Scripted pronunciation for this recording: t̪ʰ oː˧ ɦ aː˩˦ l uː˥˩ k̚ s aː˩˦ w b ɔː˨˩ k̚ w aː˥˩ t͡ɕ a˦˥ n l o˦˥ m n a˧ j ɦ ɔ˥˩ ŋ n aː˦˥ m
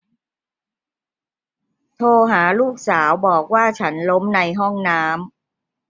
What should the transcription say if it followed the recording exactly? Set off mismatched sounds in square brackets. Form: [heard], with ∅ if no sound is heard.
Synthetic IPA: t̪ʰ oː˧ ɦ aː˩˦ l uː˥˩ k̚ s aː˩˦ w b ɔː˨˩ k̚ w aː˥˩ [t͡ɕʰ] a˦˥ n l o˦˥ m n a˧ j ɦ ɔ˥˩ ŋ n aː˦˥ m

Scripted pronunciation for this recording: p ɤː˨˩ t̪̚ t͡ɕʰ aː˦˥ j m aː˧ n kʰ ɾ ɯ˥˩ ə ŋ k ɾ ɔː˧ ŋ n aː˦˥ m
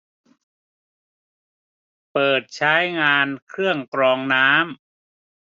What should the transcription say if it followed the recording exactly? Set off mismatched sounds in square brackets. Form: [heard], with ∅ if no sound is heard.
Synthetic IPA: p ɤː˨˩ t̪̚ t͡ɕʰ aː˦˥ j [ŋ] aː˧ n kʰ ɾ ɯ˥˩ ə ŋ k ɾ ɔː˧ ŋ n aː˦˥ m

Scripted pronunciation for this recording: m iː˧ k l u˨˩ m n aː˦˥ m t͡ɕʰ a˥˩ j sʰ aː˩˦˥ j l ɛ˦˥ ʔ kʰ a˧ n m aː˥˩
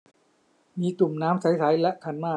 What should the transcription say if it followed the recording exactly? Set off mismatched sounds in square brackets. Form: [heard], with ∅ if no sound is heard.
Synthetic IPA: m iː˧ k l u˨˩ m n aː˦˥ m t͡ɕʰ [a˦˥] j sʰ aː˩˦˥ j l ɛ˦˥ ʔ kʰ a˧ n m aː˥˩

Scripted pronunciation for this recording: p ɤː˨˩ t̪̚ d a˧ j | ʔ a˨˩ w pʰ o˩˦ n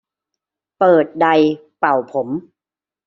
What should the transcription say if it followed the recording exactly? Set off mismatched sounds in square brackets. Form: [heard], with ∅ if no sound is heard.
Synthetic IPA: p ɤː˨˩ t̪̚ d a˧ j | [p] a˨˩ w pʰ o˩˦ [m]

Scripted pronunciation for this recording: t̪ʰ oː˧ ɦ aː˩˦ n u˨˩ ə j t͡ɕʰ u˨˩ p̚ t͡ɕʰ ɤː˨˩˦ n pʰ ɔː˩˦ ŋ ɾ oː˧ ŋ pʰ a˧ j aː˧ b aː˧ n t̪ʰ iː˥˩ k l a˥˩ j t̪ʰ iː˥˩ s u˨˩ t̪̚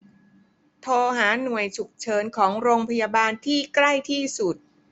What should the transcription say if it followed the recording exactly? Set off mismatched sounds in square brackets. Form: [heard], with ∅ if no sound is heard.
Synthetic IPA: t̪ʰ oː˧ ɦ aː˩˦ n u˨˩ ə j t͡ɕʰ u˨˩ [k̚] t͡ɕʰ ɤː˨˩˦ n [kʰ] ɔː˩˦ ŋ ɾ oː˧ ŋ pʰ a˧ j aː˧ b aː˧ n t̪ʰ iː˥˩ k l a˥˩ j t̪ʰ iː˥˩ s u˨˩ t̪̚

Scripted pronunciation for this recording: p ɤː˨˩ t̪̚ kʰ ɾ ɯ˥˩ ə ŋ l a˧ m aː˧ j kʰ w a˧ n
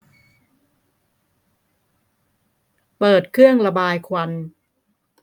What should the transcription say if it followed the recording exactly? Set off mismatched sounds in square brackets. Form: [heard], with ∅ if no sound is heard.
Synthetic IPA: p ɤː˨˩ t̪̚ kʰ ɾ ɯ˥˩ ə ŋ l a˧ [b] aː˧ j kʰ w a˧ n

